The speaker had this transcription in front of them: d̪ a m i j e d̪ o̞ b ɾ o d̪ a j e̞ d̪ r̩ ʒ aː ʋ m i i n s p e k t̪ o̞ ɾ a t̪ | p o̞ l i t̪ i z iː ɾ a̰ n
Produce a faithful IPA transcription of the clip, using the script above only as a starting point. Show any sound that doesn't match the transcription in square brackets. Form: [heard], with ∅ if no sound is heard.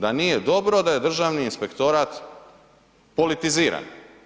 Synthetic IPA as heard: d̪ a [n] i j e d̪ o̞ b ɾ o d̪ a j e̞ d̪ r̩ ʒ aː ʋ [n] i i n s p e k t̪ o̞ ɾ a t̪ | p o̞ l i t̪ i z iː ɾ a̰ n